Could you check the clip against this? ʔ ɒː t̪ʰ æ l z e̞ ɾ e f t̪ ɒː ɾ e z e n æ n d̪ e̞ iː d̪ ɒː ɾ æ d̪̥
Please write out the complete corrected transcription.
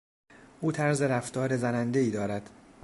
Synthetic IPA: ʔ uː t̪ʰ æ ɾ z e̞ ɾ æ f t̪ ɒː ɾ e z æ n æ n d̪ e̞ iː d̪ ɒː ɾ æ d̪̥